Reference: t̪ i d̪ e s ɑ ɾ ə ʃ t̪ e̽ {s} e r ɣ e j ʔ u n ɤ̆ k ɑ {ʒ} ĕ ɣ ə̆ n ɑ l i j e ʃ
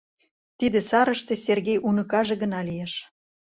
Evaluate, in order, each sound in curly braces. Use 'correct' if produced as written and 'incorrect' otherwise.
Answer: correct, correct

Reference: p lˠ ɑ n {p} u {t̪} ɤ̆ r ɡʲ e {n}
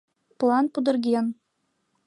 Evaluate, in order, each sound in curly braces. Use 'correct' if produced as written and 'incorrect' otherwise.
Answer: correct, incorrect: d̪, correct

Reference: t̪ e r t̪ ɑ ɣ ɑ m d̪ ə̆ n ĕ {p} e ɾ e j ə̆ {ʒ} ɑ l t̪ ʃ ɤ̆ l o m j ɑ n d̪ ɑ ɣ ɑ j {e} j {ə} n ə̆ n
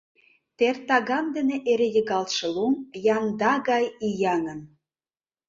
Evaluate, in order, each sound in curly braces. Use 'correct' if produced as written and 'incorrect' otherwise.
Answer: incorrect: ʔ, incorrect: ɣ, incorrect: i, incorrect: ɑ

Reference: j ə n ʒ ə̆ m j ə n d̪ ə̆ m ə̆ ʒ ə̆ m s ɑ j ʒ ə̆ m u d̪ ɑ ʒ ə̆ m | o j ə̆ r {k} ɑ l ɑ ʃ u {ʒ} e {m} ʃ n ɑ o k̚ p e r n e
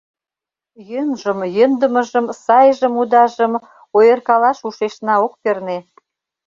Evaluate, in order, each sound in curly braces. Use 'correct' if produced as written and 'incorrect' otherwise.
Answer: correct, incorrect: ʃ, incorrect: none

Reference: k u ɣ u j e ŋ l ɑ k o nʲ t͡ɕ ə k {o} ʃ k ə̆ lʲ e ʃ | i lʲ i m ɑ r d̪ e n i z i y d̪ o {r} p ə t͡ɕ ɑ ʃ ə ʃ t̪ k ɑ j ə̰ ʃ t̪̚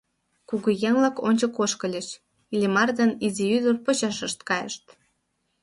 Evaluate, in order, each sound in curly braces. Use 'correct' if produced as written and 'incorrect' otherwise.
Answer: correct, correct

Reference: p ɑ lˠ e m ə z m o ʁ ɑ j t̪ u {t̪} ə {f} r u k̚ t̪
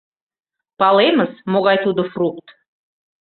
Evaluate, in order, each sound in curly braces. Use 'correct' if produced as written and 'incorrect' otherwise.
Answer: incorrect: d̪, correct

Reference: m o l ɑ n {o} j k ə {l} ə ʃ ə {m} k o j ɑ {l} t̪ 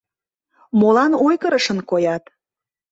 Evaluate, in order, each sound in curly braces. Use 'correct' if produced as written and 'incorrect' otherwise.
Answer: correct, incorrect: ɾ, incorrect: n, incorrect: none

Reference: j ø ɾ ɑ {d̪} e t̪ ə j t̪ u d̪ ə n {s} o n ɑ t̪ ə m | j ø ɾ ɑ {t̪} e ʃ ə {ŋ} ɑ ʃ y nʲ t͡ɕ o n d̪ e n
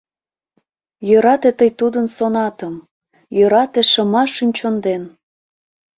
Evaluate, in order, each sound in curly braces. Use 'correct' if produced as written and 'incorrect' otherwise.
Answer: incorrect: t̪, correct, correct, incorrect: m

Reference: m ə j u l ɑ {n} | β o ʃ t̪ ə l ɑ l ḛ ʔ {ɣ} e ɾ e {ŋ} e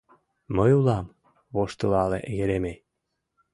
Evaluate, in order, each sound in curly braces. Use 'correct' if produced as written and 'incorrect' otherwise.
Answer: incorrect: m, correct, incorrect: m

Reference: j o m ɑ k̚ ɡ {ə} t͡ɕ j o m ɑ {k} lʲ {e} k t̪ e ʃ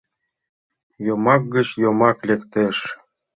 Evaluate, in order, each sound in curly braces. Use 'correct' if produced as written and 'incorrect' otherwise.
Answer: correct, correct, correct

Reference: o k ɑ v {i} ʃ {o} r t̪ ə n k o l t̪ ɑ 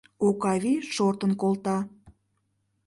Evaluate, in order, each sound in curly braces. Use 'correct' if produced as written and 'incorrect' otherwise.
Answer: correct, correct

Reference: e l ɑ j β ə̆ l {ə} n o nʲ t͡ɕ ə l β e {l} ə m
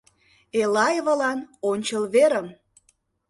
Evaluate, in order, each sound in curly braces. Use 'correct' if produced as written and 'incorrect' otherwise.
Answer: incorrect: ɑ, incorrect: ɾ

